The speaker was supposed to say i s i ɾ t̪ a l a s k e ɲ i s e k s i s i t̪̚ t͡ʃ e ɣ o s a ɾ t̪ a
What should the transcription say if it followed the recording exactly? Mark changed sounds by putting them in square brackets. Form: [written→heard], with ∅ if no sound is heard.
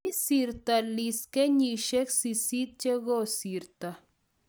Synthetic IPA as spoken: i s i ɾ t̪ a l [a→i] s k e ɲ i [s→ʃ] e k s i s i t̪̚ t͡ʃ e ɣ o s [a→i] ɾ t̪ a